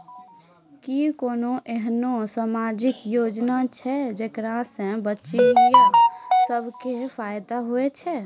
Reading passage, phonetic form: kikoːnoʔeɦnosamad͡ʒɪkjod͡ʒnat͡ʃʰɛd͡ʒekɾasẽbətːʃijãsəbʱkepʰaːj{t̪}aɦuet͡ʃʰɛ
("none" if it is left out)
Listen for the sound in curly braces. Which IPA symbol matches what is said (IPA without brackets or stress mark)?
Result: d̪